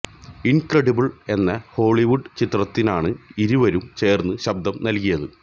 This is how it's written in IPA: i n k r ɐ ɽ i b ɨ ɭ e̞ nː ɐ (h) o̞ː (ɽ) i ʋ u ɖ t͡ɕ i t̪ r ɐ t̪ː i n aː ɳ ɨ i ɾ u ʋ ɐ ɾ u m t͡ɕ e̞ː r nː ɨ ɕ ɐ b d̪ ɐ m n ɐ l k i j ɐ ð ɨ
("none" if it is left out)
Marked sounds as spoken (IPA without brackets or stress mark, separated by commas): h, ɭ